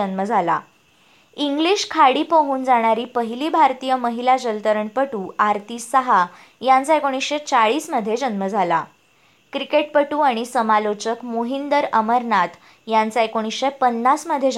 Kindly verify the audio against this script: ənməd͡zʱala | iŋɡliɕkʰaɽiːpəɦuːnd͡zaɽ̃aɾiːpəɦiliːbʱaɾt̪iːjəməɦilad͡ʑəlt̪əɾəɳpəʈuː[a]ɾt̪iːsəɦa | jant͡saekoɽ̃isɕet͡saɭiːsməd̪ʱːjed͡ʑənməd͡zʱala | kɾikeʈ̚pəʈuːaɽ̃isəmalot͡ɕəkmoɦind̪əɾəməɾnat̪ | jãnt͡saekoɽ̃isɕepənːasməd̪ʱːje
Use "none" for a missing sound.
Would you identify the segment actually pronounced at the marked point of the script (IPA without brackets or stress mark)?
a